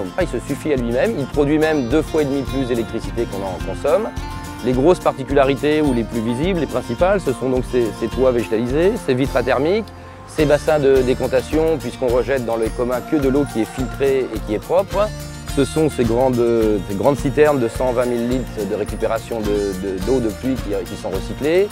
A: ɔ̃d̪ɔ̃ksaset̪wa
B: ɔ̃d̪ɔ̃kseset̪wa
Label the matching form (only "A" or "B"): B